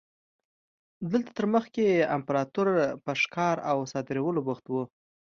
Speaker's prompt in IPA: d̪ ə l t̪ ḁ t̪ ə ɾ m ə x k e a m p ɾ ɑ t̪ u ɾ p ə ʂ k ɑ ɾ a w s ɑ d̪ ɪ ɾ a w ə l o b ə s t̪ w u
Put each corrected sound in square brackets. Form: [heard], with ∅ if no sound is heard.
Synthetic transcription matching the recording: d̪ ə l t̪ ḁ t̪ ə ɾ m ə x k e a m p ɾ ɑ t̪ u ɾ p ə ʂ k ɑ ɾ a w s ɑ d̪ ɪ ɾ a w ə l o b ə [x] t̪ w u